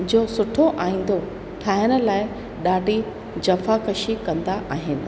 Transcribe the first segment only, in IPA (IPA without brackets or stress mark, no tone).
d͡ʑ